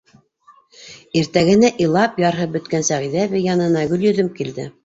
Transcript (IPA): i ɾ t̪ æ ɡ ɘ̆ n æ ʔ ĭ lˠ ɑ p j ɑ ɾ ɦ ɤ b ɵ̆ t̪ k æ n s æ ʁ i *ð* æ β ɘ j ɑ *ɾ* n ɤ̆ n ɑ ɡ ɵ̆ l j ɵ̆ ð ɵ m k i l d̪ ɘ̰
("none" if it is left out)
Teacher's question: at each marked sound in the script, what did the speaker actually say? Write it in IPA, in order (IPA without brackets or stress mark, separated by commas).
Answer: ð, none